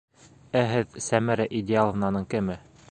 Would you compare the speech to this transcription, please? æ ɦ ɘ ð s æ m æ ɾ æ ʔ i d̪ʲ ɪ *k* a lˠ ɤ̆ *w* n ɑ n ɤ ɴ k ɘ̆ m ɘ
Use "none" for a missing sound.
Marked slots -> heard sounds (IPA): none, v

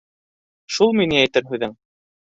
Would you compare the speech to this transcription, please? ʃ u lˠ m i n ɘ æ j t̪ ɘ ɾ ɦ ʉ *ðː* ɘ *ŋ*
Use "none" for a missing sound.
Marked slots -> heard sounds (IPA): ð, ŋ

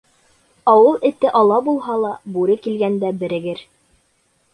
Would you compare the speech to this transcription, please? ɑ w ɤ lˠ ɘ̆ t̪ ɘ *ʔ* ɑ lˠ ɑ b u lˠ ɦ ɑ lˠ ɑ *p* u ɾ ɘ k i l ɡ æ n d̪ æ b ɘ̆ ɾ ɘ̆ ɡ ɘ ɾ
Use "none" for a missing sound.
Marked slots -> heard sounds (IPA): ʔ, b

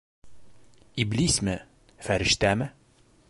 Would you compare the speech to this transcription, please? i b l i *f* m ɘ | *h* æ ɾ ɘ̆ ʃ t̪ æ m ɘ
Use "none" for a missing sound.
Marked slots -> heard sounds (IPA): s, f

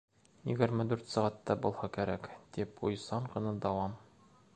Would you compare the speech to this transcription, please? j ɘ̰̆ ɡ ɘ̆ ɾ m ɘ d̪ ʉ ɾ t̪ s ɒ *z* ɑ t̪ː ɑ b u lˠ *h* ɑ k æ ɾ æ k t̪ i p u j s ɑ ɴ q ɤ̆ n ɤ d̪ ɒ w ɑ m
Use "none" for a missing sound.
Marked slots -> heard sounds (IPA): ʁ, h

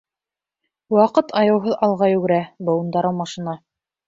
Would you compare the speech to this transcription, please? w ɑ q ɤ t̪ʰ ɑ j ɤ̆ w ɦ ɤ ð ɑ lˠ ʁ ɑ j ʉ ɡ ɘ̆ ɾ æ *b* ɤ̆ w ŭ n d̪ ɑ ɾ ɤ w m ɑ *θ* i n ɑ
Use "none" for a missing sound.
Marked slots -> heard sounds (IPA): b, ʃ

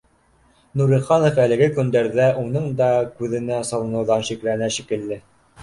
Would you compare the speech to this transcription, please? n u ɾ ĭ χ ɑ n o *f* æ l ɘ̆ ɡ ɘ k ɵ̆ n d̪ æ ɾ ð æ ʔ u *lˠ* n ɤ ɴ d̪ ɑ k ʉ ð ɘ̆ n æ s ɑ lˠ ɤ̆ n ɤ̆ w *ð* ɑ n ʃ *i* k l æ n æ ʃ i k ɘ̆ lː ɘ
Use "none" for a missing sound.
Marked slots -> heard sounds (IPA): f, none, ð, i

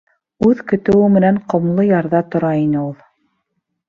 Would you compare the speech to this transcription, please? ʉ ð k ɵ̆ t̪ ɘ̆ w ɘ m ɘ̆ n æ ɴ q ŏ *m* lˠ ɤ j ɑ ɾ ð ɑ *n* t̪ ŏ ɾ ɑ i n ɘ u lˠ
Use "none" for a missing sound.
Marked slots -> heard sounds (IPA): m, none

